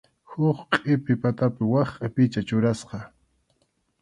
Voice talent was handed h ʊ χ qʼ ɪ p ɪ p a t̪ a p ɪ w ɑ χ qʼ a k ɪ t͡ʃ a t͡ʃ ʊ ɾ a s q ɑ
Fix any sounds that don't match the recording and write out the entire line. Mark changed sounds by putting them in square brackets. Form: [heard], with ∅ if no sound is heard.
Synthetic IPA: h ʊ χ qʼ ɪ p ɪ p a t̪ a p ɪ w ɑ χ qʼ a [p] ɪ t͡ʃ a t͡ʃ ʊ ɾ a s q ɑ